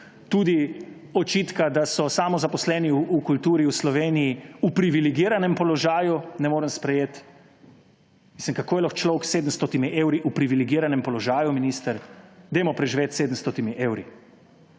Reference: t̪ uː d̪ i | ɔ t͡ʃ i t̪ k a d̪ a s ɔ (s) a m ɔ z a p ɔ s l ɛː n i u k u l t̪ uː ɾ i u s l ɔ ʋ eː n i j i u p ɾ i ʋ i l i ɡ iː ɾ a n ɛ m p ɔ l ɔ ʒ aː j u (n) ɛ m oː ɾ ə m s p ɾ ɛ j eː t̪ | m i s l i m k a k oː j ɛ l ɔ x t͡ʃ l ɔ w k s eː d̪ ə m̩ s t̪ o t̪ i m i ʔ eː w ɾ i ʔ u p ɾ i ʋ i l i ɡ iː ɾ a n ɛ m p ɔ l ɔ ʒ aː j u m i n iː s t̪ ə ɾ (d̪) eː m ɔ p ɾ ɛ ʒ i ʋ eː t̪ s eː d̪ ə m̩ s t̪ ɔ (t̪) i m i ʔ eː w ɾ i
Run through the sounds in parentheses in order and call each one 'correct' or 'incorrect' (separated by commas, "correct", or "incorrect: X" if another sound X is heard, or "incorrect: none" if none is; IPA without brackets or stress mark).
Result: correct, correct, correct, correct